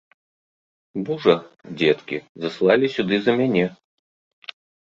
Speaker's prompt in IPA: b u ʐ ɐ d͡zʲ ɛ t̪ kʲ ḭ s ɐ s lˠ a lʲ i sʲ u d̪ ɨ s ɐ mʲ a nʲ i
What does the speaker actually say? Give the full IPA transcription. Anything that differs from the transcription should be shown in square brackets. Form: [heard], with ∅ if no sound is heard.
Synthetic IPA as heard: b u ʐ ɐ d͡zʲ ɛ t̪ kʲ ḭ [z] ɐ s lˠ a lʲ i sʲ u d̪ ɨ [z] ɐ mʲ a nʲ [ɛ]